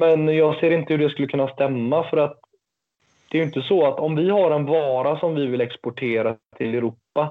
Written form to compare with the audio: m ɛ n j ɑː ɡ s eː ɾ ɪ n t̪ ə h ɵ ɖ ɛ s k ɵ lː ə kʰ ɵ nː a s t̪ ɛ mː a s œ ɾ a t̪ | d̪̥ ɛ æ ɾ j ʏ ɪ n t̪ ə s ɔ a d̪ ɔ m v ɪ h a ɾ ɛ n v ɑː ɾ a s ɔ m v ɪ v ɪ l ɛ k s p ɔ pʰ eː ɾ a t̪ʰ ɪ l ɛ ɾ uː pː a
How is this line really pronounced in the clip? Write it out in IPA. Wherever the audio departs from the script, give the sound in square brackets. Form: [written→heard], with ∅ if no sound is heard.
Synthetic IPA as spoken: m ɛ n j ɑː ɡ s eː ɾ ɪ n t̪ ə h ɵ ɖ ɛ s k ɵ lː ə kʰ ɵ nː a s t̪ ɛ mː a [s→f] œ ɾ a t̪ | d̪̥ ɛ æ ɾ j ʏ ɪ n t̪ ə s ɔ a [d̪→t̪] ɔ m v ɪ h a ɾ ɛ n v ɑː ɾ a s ɔ m v ɪ v ɪ l ɛ k s p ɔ [pʰ→ʈʰ] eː ɾ a t̪ʰ ɪ l ɛ ɾ uː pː a